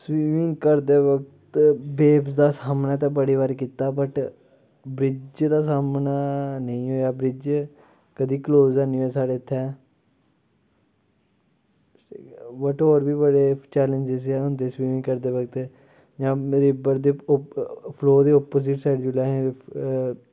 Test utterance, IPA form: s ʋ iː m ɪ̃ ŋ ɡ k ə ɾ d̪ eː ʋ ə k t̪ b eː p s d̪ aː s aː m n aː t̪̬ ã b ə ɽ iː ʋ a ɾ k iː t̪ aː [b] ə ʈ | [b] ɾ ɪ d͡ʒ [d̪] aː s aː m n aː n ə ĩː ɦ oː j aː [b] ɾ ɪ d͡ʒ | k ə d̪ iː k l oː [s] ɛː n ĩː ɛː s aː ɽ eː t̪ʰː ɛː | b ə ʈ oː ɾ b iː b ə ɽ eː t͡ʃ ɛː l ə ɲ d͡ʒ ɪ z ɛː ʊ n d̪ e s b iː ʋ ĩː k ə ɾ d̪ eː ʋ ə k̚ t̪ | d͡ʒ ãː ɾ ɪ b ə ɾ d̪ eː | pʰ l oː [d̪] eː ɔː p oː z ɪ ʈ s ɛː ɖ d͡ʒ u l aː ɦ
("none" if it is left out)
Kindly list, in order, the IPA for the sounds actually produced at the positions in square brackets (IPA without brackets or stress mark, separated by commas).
b, b, d̪, b, z, d̪